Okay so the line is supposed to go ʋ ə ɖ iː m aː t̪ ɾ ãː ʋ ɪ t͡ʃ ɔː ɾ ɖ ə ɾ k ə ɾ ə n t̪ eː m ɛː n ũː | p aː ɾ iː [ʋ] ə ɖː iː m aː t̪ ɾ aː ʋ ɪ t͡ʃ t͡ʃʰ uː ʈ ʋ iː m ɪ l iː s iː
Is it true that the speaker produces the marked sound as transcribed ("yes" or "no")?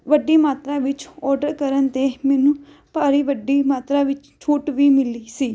yes